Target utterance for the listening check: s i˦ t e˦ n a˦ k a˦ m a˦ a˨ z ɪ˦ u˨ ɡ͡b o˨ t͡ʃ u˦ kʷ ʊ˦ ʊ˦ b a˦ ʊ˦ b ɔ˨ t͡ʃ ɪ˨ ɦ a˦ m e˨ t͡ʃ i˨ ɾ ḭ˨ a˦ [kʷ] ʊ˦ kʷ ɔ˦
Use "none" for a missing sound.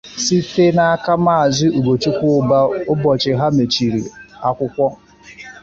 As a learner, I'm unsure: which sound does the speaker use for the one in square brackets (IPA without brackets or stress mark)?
kʷ